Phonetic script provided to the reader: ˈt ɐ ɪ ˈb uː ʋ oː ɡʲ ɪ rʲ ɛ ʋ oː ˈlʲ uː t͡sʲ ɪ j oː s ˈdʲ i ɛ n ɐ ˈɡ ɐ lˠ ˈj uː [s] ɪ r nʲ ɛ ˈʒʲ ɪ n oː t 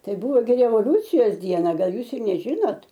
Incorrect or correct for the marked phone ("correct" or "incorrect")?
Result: correct